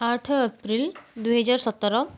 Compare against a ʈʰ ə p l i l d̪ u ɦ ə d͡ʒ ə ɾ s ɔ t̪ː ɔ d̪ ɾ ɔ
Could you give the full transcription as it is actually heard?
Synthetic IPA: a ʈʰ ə p ɾ i l d̪ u ɦ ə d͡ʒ a ɾ s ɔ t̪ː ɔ ɾ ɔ